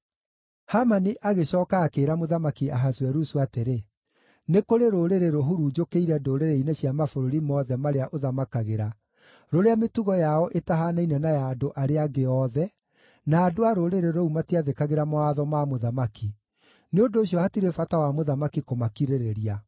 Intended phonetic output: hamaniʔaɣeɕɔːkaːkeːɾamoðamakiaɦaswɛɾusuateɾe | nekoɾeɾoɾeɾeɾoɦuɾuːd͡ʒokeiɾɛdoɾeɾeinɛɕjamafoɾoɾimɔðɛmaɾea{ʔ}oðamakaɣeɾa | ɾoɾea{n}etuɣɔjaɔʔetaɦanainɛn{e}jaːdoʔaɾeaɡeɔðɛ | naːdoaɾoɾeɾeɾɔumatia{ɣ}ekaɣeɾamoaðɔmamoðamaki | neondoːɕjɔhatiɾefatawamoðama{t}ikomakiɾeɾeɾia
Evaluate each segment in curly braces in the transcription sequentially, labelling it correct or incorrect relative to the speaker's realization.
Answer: correct, incorrect: m, incorrect: a, incorrect: ð, incorrect: k

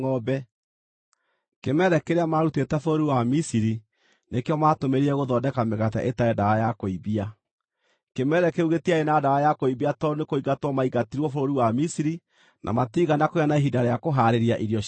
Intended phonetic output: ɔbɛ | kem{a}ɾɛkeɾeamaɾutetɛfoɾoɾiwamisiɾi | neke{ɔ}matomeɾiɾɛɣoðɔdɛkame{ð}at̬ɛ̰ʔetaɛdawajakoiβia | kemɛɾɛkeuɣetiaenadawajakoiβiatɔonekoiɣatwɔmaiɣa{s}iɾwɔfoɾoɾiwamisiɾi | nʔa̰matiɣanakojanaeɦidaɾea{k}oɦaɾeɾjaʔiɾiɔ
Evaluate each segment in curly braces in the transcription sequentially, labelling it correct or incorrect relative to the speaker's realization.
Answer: incorrect: ɛ, correct, incorrect: ɣ, incorrect: t, correct

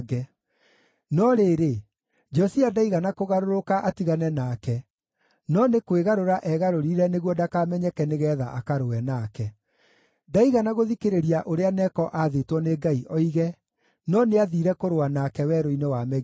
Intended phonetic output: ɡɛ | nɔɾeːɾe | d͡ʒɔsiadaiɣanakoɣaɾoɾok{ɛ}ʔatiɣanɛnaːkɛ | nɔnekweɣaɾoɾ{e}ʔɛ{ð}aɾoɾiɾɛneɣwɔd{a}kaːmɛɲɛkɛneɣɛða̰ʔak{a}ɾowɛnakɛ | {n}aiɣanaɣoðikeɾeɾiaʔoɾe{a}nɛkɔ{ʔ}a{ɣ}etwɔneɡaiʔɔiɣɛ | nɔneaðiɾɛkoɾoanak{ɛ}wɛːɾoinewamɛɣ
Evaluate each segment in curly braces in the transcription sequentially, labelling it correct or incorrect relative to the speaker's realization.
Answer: incorrect: a, incorrect: a, incorrect: ɣ, correct, correct, incorrect: d, correct, correct, incorrect: ð, correct

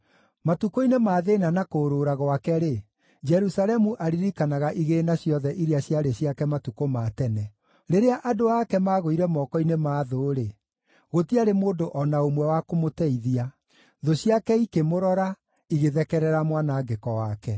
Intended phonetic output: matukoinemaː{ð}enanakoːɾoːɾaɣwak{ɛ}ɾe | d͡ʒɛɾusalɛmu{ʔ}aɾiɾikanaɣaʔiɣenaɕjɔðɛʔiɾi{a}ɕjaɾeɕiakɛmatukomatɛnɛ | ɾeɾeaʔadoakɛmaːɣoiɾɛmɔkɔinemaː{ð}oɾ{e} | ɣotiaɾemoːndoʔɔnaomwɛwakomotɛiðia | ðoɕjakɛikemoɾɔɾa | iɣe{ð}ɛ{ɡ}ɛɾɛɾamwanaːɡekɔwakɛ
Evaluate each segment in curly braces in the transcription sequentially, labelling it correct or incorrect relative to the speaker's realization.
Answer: correct, correct, correct, correct, correct, correct, correct, incorrect: k

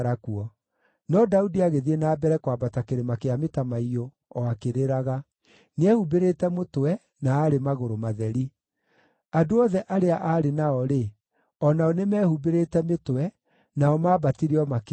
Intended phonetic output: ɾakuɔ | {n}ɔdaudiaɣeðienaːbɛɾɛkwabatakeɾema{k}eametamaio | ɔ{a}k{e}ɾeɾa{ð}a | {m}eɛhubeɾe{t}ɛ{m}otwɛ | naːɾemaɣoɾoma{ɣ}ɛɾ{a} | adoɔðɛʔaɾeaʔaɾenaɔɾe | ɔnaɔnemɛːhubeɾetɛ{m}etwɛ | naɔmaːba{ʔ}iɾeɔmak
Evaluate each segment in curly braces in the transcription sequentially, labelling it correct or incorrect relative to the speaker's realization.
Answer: correct, correct, correct, correct, incorrect: ɣ, incorrect: n, correct, correct, incorrect: ð, incorrect: i, correct, incorrect: t

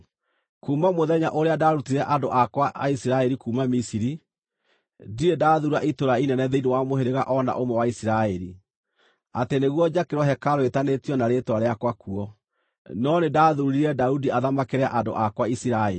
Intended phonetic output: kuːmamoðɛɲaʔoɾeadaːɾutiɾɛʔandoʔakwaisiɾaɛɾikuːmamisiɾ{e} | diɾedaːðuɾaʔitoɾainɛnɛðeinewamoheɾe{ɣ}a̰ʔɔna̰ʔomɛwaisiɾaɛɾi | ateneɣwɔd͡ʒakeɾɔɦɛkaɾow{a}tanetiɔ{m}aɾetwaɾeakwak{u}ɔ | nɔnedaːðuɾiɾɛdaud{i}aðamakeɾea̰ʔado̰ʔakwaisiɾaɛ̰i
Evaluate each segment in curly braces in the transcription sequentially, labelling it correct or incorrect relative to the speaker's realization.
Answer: incorrect: i, correct, incorrect: e, incorrect: n, correct, correct

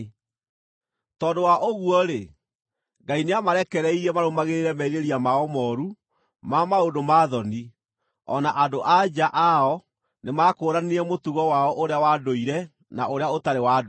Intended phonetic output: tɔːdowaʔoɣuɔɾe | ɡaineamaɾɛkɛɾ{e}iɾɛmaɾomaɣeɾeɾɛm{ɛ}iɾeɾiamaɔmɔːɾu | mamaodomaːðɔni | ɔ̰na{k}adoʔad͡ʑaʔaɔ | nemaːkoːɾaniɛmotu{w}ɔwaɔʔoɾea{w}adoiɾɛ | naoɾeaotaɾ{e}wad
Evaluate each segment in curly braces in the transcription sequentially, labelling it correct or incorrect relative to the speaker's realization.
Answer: incorrect: ɛ, correct, incorrect: ʔ, incorrect: ɣ, correct, correct

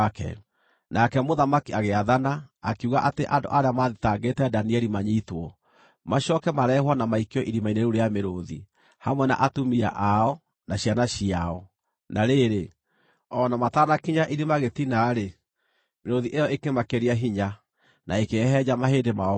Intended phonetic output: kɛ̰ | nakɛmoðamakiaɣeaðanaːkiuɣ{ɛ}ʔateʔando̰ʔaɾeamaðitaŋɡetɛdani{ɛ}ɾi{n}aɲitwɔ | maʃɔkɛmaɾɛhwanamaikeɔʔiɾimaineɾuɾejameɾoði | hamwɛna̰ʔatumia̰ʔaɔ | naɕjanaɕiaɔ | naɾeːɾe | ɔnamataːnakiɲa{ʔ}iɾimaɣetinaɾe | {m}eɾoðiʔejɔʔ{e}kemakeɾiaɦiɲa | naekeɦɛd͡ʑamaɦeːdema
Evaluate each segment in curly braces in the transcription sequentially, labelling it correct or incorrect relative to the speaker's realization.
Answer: incorrect: a, correct, incorrect: m, correct, correct, correct

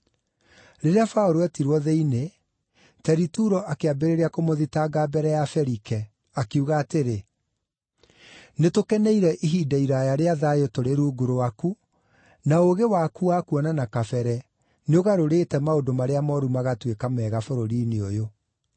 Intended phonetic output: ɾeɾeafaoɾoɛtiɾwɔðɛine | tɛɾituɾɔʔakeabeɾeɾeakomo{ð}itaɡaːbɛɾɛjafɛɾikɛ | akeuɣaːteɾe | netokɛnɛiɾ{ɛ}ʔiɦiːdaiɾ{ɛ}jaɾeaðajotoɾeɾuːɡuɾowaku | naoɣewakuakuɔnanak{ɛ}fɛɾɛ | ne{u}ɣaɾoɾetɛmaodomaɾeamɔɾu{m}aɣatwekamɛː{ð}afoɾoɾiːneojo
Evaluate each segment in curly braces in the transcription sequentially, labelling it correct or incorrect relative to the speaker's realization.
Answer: correct, correct, incorrect: a, incorrect: a, incorrect: o, correct, incorrect: ɣ

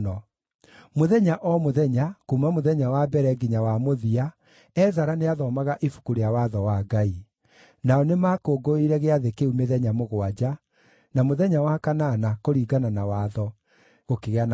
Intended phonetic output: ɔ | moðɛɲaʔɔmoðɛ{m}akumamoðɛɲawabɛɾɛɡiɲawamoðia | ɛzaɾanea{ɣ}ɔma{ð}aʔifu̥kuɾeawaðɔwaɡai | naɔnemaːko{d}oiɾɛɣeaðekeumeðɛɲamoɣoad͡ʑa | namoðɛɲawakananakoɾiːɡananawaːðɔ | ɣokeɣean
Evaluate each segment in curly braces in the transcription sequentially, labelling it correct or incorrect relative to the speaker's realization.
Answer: incorrect: ɲ, incorrect: ð, incorrect: ɣ, incorrect: ɡ

